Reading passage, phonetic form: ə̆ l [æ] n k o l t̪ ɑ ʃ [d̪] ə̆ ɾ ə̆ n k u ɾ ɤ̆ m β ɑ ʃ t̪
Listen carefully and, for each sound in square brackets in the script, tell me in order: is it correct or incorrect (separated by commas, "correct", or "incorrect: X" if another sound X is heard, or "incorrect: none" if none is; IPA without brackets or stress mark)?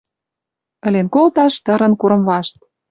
incorrect: e, incorrect: t̪